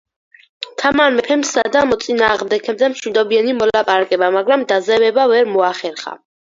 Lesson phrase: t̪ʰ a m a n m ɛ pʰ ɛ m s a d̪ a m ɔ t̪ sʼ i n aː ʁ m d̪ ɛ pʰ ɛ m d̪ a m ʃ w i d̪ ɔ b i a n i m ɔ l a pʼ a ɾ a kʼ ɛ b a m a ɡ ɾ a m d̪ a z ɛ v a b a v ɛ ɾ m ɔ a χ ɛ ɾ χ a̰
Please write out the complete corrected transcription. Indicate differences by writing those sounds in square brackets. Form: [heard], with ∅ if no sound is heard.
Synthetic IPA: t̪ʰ a m a n m ɛ pʰ ɛ m s a d̪ a m ɔ t̪ sʼ i n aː ʁ m d̪ ɛ [kʰ] ɛ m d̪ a m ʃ w i d̪ ɔ b i a n i m ɔ l a pʼ a ɾ a kʼ ɛ b a m a ɡ ɾ a m d̪ a z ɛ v [ɛ] b a v ɛ ɾ m ɔ a χ ɛ ɾ χ a̰